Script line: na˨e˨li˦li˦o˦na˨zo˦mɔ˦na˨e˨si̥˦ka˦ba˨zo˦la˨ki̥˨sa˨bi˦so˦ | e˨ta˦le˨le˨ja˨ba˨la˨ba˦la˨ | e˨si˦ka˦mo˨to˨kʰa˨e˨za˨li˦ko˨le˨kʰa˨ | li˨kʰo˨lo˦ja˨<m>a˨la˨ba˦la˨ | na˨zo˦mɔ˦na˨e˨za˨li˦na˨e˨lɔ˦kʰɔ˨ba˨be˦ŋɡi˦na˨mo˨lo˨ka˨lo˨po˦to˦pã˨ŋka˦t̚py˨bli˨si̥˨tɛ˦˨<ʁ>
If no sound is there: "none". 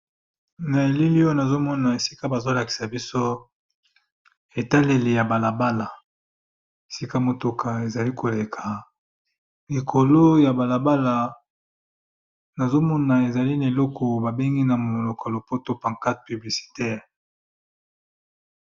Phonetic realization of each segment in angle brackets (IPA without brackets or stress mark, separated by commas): b, ʁ